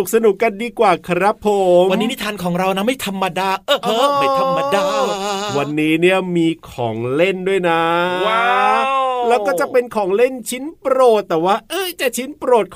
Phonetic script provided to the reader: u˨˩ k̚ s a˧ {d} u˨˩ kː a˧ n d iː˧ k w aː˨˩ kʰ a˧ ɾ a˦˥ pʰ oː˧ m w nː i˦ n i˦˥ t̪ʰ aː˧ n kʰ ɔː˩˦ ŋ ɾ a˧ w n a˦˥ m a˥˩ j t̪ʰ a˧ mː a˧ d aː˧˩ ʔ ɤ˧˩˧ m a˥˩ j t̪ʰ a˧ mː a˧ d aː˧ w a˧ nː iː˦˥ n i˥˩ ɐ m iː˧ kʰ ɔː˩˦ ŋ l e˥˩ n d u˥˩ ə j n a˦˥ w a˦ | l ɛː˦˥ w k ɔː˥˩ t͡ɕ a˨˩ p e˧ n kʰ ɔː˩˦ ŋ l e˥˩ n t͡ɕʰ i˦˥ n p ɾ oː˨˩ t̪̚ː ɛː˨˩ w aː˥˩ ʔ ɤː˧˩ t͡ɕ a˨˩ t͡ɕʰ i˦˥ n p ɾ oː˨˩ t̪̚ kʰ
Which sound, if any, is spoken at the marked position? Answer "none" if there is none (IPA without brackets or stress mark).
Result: n